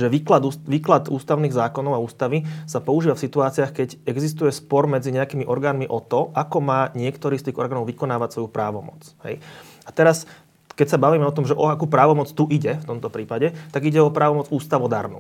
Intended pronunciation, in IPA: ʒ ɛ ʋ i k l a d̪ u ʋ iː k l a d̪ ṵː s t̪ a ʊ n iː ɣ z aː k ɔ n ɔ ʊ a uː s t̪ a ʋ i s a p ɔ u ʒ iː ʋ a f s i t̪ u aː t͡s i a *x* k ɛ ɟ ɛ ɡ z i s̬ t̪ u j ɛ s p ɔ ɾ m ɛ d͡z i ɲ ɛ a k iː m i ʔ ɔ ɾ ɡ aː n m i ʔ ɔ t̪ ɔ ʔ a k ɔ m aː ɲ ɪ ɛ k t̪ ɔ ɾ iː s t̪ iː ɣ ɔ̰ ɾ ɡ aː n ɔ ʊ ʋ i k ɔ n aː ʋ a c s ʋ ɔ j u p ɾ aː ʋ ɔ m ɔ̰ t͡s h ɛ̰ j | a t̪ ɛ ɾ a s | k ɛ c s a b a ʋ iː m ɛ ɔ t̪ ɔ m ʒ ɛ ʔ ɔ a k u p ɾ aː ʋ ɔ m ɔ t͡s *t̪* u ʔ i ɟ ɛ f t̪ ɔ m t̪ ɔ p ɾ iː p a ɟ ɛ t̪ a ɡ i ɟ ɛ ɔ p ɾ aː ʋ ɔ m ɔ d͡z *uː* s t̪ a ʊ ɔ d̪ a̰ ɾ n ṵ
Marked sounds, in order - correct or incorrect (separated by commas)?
correct, correct, correct